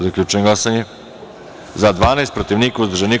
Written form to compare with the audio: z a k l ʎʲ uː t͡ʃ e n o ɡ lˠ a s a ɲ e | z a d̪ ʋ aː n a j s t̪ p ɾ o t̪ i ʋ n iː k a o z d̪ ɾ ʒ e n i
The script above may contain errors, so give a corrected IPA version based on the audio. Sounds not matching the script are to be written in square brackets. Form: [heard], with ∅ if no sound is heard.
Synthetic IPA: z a k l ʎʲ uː t͡ʃ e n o ɡ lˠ a s a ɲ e | z a d̪ ʋ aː n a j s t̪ p ɾ o t̪ i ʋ n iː k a [u] z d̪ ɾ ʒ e n i

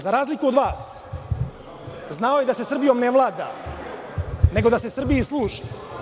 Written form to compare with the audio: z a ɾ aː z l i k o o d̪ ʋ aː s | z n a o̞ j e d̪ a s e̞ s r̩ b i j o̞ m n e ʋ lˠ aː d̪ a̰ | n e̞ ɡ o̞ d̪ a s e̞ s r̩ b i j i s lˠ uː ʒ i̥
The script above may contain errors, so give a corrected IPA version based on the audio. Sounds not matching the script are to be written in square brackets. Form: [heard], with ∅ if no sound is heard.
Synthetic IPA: z a ɾ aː z l i k [u] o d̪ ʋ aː s | z n a o̞ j e d̪ a s e̞ s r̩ b i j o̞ m n e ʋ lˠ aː d̪ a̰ | n e̞ ɡ o̞ d̪ a s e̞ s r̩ b i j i s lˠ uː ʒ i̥

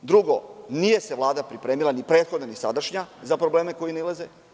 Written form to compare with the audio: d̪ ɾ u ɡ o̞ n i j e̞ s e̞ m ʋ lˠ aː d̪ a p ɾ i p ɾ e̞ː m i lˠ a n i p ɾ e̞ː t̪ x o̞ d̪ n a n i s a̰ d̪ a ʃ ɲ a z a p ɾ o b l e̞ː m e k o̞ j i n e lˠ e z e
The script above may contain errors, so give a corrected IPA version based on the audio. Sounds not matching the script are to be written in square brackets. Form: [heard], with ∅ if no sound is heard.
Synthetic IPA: d̪ ɾ u ɡ o̞ n i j e̞ s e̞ [∅] ʋ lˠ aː d̪ a p ɾ i p ɾ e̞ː m i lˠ a n i p ɾ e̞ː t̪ x o̞ d̪ n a n i s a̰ d̪ a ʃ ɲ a z a p ɾ o b l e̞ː m e k o̞ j i n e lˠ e z e

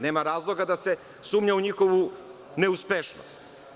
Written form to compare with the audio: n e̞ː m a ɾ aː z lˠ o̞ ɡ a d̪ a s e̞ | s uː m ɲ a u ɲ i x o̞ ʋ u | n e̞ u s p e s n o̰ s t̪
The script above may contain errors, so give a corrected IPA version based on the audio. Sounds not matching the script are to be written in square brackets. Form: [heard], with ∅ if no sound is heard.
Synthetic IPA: n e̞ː m a ɾ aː z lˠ o̞ ɡ a d̪ a s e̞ | s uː m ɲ a u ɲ i x o̞ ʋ u | n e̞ u s p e [ʃ] n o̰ s t̪

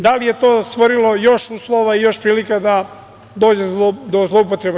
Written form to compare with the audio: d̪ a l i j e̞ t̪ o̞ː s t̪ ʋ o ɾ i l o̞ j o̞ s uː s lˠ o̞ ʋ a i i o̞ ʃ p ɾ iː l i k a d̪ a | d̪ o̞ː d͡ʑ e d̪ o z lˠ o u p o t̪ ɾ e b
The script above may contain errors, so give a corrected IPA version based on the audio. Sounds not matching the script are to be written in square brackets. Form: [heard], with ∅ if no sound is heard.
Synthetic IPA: d̪ a l i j e̞ t̪ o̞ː s t̪ ʋ o ɾ i l o̞ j o̞ [ʃ] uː s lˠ o̞ ʋ a i [j] o̞ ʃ p ɾ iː l i k a d̪ a | d̪ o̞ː d͡ʑ e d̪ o z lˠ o u p o t̪ ɾ e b

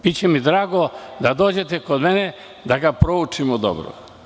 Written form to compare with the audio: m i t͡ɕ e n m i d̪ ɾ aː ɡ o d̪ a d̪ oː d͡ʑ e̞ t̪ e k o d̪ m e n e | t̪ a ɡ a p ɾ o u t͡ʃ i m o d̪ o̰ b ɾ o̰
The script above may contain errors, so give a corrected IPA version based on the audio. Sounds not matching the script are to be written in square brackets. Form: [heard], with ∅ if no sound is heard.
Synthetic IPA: [b] i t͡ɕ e [∅] m i d̪ ɾ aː ɡ o d̪ a d̪ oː d͡ʑ e̞ t̪ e k o d̪ m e n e | [d̪] a ɡ a p ɾ o u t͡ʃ i m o d̪ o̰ b ɾ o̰

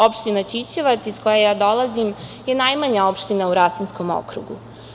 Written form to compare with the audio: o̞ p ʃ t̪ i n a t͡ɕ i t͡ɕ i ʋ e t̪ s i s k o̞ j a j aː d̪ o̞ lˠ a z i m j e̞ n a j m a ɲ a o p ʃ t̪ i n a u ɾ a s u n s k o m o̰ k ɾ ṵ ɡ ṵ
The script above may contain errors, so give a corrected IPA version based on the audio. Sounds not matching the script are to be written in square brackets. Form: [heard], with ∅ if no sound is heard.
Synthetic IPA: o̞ p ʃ t̪ i n a t͡ɕ i t͡ɕ [e] ʋ [a] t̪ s i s k o̞ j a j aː d̪ o̞ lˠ a z i m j e̞ n a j m a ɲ a o p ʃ t̪ i n a u ɾ a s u n s k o m o̰ k ɾ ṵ ɡ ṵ

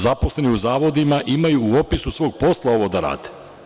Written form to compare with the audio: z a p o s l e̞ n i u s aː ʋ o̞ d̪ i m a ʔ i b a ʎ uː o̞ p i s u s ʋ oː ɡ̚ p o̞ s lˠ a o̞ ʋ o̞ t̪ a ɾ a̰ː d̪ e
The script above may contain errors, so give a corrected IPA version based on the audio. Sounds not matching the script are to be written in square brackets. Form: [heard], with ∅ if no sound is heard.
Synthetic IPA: z a p o s l e̞ n i u [z] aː ʋ o̞ d̪ i m a ʔ i [m] a [j] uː o̞ p i s u s ʋ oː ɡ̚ p o̞ s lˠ a o̞ ʋ o̞ [d̪] a ɾ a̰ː d̪ e

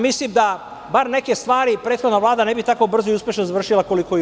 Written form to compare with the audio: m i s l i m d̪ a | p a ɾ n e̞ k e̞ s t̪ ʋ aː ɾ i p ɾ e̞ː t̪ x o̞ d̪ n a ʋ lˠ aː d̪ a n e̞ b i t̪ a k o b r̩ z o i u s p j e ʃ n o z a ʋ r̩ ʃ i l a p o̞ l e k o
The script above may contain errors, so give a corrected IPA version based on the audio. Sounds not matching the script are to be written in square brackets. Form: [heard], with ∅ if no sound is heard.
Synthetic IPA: m i s l i m d̪ a | [b] a ɾ n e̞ k e̞ s t̪ ʋ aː ɾ i p ɾ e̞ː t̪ x o̞ d̪ n a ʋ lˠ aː d̪ a n e̞ b i t̪ a k o b r̩ z o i u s p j e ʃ n o z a ʋ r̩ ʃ i l a [k] o̞ l [i] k o

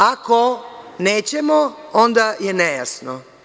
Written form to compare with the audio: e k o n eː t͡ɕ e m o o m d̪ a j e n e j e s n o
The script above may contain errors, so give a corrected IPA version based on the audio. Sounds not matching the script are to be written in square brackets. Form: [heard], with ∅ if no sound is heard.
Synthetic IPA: [a] k o n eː t͡ɕ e m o o [n] d̪ a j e n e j [a] s n o

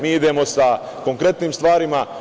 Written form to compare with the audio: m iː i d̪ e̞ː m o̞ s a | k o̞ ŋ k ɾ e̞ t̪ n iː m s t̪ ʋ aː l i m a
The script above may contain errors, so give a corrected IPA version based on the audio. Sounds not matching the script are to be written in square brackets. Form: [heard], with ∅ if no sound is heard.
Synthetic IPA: m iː i d̪ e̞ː m o̞ s a | k o̞ ŋ k ɾ e̞ t̪ n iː m s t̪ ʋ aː [ɾ] i m a

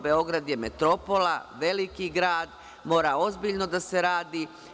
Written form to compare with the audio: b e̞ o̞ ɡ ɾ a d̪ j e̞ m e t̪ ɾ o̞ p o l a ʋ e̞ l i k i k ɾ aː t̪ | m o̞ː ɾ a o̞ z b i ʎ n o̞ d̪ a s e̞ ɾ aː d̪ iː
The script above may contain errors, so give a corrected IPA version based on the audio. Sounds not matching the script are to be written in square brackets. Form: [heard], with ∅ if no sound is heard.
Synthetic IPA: b e̞ o̞ ɡ ɾ a d̪ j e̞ m e t̪ ɾ o̞ p o l a ʋ e̞ l i k i [ɡ] ɾ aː [d̪] | m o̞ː ɾ a o̞ z b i ʎ n o̞ d̪ a s e̞ ɾ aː d̪ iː

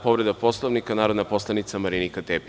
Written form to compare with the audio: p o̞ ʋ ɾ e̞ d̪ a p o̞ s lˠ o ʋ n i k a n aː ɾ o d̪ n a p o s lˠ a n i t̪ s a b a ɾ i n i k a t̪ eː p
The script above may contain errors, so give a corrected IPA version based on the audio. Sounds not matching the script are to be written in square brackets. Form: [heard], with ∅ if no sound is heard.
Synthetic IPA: p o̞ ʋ ɾ e̞ d̪ a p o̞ s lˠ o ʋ n i k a n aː ɾ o d̪ n a p o s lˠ a n i t̪ s a [m] a ɾ i n i k a t̪ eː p

